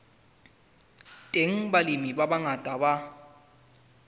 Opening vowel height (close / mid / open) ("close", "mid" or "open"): mid